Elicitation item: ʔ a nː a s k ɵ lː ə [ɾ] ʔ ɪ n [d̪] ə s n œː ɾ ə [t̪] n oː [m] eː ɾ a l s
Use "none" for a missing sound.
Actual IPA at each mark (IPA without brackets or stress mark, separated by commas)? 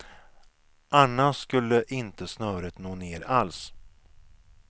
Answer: none, t̪, t̪, n